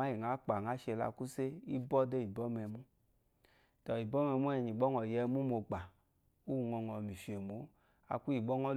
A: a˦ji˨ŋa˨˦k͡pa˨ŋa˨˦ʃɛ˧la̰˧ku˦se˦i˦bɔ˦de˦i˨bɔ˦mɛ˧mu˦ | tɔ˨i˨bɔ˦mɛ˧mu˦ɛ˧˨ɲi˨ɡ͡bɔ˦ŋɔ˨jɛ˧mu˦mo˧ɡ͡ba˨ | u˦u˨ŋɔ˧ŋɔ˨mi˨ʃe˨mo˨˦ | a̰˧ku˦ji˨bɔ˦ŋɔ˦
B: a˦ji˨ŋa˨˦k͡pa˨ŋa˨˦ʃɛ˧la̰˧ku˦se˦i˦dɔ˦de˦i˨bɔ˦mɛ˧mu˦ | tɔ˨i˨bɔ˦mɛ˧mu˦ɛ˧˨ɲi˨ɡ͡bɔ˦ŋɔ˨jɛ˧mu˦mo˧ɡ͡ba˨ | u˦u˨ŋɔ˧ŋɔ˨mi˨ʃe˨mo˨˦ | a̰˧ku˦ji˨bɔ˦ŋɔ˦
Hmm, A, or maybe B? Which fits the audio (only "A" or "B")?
A